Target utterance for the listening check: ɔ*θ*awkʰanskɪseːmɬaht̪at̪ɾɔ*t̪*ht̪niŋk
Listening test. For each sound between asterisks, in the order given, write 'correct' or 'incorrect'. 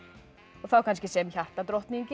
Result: correct, incorrect

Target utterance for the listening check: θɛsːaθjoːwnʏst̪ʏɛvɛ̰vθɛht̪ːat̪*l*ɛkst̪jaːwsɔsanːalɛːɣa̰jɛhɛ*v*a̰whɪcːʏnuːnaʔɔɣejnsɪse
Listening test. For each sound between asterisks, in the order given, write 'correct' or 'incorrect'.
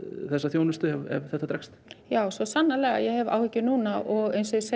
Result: incorrect, correct

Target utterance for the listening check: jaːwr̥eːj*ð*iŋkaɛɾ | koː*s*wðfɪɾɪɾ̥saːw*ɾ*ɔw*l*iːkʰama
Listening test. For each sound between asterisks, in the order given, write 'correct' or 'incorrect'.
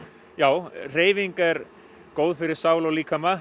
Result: incorrect, incorrect, incorrect, correct

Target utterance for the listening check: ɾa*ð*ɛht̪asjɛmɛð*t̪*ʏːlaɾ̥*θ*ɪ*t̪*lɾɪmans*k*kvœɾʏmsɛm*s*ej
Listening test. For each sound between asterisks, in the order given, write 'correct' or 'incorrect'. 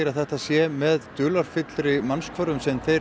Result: incorrect, correct, incorrect, correct, correct, incorrect

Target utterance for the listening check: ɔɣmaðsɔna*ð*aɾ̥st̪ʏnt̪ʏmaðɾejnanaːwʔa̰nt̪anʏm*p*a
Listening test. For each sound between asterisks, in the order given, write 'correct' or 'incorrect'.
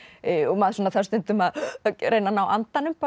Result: incorrect, correct

